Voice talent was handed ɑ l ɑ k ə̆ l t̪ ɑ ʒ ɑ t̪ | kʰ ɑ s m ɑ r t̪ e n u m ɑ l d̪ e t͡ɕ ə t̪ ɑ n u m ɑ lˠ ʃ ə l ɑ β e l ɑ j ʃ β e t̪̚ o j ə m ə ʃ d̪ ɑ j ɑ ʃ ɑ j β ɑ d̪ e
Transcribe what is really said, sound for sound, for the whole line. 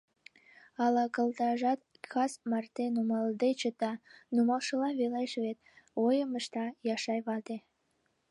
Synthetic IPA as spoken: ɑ l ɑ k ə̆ l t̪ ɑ ʒ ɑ t̪ | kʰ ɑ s m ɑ r t̪ e n u m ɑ l d̪ e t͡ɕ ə t̪ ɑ n u m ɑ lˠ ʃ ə l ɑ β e l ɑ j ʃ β e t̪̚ o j ə m ə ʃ t̪ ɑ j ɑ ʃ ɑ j β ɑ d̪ e